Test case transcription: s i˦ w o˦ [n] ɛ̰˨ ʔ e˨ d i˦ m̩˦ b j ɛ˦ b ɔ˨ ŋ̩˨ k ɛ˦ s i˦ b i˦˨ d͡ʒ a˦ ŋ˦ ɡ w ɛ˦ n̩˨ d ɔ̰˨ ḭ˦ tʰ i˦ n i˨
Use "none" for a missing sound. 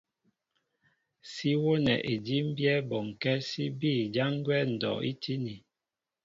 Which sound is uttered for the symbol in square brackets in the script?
n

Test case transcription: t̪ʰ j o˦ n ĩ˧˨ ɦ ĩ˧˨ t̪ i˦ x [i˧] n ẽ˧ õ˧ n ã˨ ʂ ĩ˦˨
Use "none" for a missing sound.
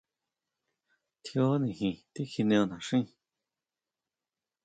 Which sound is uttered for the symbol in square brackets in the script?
i˧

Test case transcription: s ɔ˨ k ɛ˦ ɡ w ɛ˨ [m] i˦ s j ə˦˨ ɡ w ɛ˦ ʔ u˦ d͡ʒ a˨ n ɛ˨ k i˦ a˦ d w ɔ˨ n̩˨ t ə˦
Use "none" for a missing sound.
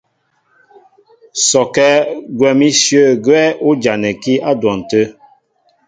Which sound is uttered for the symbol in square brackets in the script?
m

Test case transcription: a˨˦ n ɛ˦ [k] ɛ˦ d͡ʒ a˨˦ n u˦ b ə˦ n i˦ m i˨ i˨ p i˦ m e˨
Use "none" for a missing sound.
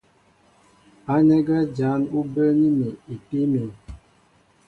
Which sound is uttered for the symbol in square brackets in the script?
ɡ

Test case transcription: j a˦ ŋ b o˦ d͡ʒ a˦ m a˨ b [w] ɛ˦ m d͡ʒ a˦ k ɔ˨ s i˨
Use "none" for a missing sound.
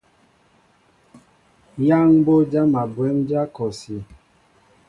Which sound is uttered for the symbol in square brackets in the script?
w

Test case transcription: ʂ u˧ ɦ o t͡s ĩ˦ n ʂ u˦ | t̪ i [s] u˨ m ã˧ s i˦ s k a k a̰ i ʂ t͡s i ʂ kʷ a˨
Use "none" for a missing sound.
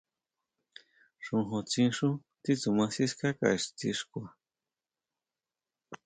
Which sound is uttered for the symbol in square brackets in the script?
t͡s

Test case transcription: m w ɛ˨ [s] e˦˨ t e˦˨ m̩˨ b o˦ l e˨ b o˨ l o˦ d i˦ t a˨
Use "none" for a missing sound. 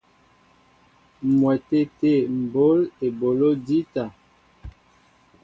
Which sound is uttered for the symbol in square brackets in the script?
t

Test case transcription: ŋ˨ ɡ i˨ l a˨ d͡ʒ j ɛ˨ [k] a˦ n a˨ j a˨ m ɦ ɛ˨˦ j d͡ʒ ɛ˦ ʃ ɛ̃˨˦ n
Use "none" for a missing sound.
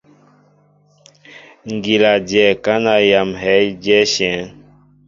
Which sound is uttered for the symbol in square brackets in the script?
k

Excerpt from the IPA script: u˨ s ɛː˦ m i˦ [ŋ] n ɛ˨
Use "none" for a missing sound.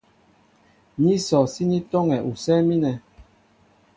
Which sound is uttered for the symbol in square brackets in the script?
none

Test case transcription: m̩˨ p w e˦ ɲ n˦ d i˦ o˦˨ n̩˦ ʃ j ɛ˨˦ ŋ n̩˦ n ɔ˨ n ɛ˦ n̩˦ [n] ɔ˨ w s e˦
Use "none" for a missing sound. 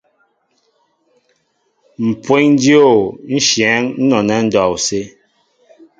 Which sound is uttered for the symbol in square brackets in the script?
d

